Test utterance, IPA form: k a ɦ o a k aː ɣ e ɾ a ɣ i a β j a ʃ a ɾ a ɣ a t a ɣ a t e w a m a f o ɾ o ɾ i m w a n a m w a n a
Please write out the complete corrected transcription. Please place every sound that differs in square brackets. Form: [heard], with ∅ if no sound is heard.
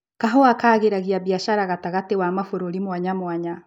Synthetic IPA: k a ɦ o a k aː ɣ e ɾ a ɣ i a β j a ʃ a ɾ a ɣ a t a ɣ a t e w a m a f o ɾ o ɾ i m w a [ɲ] a m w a [ɲ] a